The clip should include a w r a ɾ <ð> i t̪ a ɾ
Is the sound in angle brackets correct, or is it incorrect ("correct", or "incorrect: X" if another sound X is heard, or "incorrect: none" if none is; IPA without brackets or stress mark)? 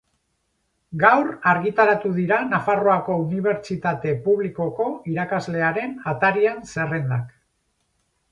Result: incorrect: ɣ